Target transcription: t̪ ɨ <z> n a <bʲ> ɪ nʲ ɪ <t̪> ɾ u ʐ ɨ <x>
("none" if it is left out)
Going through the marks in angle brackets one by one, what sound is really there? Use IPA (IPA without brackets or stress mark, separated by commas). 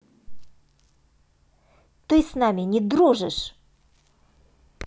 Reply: s, mʲ, d̪, ʂ